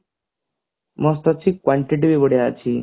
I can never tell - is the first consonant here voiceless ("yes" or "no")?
no